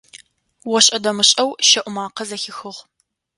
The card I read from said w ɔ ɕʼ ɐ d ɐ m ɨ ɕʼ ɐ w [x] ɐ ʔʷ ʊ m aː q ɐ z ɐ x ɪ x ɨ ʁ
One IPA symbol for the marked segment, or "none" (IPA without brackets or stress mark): ʃ